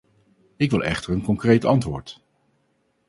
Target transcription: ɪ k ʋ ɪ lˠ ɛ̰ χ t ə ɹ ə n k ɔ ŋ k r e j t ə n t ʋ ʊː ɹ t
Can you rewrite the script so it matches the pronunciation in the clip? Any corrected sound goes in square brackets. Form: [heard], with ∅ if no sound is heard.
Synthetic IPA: ɪ k ʋ ɪ lˠ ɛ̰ χ t ə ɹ ə n k ɔ ŋ k r e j t [ɑ] n t ʋ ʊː ɹ t